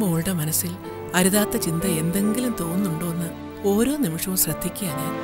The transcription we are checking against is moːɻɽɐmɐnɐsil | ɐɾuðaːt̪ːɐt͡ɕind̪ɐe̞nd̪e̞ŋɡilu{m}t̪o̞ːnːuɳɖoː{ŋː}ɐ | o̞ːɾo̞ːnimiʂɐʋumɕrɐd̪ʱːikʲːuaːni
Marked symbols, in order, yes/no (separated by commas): yes, no